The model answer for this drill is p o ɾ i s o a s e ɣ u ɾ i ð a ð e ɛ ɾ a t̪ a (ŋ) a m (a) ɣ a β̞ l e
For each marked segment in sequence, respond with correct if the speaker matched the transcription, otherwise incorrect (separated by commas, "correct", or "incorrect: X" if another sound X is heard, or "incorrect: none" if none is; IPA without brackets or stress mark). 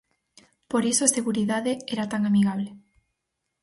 correct, incorrect: i